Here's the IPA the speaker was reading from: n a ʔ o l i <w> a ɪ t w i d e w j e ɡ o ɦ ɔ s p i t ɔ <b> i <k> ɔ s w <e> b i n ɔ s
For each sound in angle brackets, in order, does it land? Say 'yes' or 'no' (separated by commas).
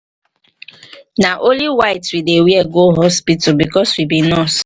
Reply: yes, yes, yes, no